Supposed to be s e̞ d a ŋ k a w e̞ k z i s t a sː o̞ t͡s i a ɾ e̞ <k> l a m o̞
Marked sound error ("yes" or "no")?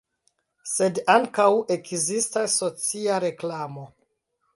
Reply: no